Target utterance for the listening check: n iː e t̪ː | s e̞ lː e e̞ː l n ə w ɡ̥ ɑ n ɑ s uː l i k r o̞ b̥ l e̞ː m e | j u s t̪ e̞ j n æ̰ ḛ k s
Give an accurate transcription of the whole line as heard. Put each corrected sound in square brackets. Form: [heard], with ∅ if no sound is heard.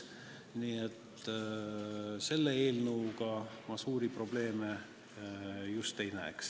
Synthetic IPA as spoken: n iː e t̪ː | s e̞ lː e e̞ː l n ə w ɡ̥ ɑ [m] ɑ s uː [ɾ] i [p] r o̞ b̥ l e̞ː m e | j u s t̪ e̞ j n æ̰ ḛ k s